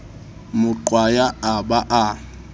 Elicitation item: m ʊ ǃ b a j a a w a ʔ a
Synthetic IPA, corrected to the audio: m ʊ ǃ w a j a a b a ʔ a